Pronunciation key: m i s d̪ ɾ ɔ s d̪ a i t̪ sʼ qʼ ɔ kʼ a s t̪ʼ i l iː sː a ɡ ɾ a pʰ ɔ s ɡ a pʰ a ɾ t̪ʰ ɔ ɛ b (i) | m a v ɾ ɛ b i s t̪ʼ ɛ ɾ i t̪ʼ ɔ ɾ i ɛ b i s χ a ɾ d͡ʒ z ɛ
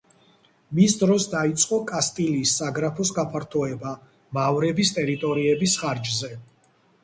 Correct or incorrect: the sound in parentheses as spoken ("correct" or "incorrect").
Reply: incorrect